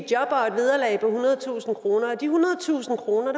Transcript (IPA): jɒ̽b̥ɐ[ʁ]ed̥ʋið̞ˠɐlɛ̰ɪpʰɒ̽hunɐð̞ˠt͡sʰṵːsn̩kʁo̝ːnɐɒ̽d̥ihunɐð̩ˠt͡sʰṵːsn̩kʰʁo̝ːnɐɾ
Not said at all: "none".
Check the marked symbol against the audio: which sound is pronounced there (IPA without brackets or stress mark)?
none